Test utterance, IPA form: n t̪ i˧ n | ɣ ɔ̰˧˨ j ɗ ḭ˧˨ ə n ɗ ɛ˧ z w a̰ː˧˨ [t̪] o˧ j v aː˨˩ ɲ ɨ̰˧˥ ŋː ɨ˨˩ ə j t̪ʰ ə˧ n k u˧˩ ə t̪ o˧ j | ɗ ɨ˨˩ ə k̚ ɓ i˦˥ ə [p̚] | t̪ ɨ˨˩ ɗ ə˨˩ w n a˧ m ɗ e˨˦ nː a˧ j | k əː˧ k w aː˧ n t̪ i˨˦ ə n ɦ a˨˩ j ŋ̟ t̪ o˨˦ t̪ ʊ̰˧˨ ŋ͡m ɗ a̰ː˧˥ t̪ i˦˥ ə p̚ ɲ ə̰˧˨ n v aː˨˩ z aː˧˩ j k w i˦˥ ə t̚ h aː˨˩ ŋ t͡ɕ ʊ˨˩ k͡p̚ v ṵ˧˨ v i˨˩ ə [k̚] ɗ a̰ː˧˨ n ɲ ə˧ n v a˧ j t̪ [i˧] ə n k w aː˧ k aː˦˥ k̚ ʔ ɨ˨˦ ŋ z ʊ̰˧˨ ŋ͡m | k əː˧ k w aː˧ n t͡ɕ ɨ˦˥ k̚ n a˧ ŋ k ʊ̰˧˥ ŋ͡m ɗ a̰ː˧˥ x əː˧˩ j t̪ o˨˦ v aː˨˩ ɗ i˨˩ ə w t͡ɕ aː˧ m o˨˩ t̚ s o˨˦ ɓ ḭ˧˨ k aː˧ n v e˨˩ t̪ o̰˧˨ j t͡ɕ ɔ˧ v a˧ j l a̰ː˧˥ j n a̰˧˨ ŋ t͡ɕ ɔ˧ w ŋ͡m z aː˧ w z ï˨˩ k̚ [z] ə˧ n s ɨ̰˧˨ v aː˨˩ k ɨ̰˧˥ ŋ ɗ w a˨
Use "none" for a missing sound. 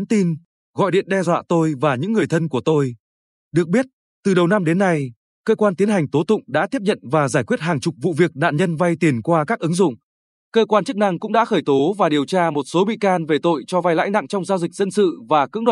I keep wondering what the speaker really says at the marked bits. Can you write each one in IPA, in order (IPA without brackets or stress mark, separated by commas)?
t̪, t̚, k̚, i˨˩, z